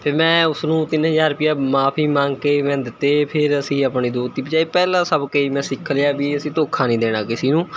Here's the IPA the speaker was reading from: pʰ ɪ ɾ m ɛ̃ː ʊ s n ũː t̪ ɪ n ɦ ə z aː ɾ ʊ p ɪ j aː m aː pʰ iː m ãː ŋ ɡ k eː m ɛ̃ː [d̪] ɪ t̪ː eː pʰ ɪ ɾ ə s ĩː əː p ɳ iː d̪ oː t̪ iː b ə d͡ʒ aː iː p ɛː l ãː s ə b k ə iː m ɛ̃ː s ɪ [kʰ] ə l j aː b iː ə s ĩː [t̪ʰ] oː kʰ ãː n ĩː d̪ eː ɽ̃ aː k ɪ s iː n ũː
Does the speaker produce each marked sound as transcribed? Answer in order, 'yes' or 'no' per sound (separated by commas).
yes, yes, no